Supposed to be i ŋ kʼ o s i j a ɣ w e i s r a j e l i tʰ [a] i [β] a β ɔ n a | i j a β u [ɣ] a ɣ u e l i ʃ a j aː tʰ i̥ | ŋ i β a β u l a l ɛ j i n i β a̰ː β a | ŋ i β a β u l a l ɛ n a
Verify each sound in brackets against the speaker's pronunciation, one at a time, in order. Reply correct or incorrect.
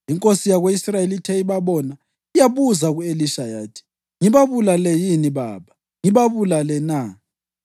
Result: incorrect, correct, incorrect

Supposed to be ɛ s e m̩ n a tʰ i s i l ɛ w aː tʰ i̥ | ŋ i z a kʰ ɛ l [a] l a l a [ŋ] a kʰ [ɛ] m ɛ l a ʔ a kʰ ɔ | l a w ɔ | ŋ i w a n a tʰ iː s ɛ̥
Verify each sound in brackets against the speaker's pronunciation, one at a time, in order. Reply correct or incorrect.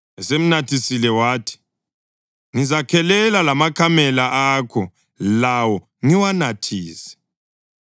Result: incorrect, incorrect, incorrect

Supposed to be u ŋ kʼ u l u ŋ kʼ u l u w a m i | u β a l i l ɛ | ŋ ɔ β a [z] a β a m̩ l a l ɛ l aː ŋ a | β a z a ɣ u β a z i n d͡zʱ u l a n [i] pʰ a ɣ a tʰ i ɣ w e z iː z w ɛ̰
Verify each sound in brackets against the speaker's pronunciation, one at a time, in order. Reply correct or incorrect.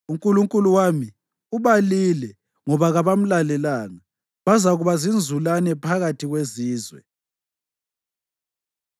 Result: incorrect, incorrect

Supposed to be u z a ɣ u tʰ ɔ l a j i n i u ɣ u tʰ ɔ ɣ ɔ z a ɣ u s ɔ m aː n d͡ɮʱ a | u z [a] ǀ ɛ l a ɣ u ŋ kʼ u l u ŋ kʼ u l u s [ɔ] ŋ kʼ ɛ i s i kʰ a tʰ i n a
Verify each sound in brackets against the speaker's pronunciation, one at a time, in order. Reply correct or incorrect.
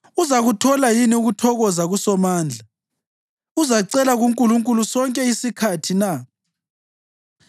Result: correct, correct

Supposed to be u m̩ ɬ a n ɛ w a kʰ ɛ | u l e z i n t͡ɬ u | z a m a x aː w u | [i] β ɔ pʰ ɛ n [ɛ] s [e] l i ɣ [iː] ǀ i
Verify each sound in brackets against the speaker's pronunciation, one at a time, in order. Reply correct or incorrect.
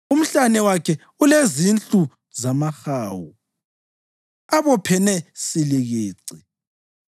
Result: incorrect, correct, incorrect, correct

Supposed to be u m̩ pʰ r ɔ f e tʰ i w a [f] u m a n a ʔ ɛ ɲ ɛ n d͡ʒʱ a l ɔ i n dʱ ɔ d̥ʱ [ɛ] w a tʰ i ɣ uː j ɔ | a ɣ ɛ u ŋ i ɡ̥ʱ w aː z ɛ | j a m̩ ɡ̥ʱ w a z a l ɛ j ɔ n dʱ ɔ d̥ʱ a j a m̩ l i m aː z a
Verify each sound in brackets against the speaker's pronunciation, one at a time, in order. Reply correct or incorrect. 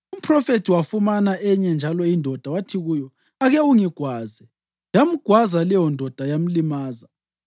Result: correct, incorrect

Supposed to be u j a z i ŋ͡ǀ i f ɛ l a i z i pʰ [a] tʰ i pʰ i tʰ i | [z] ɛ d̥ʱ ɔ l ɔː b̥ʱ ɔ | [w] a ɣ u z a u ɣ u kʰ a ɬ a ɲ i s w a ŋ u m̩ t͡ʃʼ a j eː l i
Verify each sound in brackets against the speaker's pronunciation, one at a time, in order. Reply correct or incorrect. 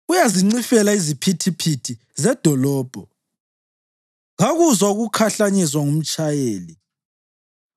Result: incorrect, correct, incorrect

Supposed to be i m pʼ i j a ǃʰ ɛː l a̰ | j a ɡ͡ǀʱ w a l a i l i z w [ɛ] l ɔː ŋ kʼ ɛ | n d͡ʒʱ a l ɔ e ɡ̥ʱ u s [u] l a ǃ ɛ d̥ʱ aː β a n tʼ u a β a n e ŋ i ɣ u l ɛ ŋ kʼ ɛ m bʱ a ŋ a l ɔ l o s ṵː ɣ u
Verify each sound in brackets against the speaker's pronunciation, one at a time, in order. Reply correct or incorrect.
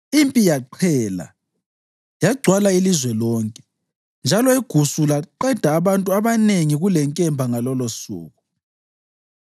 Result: correct, correct

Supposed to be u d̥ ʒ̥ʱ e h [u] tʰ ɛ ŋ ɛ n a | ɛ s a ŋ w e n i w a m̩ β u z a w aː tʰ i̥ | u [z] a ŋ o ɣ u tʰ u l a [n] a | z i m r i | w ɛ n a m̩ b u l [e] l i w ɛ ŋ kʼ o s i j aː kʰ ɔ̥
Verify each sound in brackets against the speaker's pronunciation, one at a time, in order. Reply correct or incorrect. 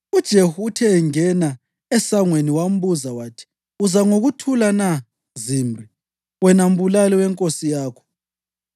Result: correct, correct, correct, incorrect

